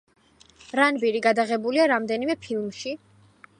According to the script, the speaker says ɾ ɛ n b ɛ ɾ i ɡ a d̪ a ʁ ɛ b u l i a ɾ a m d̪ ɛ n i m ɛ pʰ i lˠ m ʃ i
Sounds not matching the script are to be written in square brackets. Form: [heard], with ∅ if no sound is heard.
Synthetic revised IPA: ɾ [a] n b [i] ɾ i ɡ a d̪ a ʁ ɛ b u l i a ɾ a m d̪ ɛ n i m ɛ pʰ i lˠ m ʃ i